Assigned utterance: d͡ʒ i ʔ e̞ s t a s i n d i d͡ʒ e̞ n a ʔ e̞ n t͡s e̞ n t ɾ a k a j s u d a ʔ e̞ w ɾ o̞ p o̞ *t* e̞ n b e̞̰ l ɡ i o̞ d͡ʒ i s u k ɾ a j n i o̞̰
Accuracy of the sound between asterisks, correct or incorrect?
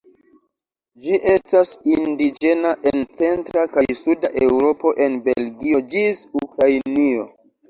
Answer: incorrect